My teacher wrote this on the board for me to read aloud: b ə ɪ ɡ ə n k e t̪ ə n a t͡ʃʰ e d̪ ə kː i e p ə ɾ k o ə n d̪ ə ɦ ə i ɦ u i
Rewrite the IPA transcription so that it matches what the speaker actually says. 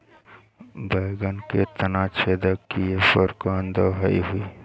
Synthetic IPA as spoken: b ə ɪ ɡ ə n k e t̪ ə n a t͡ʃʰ e d̪ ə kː i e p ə ɾ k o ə n d̪ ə ɦ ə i ɦ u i